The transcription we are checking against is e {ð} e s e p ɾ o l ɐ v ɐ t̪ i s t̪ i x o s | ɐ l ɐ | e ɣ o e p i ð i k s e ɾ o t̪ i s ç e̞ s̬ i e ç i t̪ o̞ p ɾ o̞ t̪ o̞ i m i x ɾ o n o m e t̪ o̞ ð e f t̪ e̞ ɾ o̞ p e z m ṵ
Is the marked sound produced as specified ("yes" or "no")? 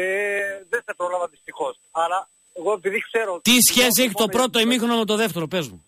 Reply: yes